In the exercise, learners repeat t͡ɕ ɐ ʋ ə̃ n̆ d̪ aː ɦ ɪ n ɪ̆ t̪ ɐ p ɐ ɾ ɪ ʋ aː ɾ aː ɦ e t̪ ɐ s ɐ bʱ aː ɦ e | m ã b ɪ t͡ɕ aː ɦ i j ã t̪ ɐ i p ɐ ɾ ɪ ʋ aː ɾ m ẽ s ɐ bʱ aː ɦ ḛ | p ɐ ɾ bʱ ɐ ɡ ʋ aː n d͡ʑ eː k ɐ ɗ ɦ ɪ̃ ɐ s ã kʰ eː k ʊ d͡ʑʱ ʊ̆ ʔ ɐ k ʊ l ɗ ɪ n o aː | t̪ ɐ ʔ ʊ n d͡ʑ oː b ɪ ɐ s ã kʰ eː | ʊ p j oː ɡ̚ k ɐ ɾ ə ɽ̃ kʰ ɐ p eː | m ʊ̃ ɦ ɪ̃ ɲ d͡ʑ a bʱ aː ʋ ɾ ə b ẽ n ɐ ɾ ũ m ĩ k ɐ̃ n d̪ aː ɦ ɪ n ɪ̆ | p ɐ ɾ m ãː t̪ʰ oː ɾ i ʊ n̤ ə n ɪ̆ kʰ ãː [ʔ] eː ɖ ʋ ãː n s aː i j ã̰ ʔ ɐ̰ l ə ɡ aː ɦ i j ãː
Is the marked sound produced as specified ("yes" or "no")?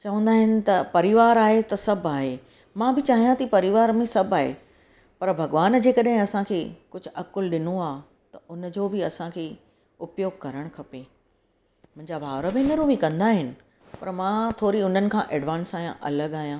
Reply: yes